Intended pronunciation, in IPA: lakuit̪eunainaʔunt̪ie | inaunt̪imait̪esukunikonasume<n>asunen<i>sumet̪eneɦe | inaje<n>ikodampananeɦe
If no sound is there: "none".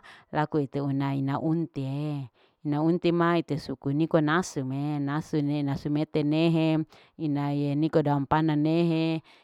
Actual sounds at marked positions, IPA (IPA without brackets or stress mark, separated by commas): n, a, n